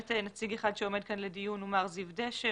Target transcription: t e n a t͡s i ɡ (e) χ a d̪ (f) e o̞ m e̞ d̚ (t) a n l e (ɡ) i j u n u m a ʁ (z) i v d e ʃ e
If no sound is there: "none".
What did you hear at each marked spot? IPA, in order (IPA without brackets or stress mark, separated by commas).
e, ʃ, k, d, z